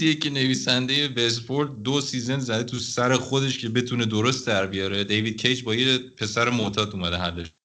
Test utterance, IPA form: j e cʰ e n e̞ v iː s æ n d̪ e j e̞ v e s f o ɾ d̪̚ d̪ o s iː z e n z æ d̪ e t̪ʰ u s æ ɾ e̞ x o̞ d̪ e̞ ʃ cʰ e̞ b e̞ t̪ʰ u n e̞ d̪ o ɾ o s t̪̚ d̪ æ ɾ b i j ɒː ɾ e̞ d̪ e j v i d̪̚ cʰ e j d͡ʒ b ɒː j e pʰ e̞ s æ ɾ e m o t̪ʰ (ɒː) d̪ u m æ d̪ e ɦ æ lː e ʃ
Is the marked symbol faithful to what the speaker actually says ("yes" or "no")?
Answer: yes